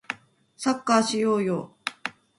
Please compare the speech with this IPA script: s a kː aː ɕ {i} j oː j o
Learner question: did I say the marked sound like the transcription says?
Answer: yes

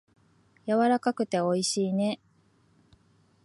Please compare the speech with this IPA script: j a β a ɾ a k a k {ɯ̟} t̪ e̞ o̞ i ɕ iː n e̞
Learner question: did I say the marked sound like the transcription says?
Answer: yes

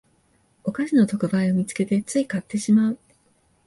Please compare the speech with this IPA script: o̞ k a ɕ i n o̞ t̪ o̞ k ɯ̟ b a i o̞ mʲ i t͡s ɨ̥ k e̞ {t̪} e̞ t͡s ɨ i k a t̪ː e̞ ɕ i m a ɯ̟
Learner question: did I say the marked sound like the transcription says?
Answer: yes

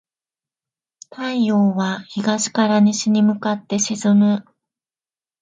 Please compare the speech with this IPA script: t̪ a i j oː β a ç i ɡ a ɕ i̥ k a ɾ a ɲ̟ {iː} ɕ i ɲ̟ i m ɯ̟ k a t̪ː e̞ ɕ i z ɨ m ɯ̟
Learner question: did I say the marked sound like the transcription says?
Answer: no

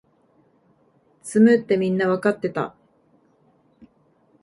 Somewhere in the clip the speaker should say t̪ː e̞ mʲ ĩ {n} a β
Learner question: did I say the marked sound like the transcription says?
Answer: no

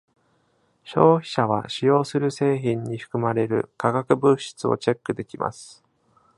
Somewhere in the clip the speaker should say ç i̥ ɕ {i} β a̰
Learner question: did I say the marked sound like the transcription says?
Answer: no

